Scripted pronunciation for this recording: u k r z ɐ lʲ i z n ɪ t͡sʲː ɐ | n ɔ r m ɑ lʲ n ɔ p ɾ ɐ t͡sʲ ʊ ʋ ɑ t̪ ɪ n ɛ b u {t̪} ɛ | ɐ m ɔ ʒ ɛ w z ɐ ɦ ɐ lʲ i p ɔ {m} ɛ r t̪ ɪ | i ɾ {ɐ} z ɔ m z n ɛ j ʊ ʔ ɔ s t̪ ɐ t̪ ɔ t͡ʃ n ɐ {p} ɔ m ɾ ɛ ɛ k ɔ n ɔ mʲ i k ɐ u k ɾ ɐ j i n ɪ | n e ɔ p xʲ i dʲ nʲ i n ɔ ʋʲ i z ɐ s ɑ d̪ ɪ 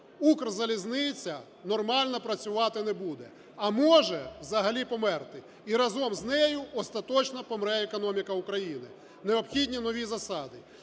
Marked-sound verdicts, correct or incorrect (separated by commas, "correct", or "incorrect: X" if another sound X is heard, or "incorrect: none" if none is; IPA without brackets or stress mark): incorrect: d̪, correct, correct, correct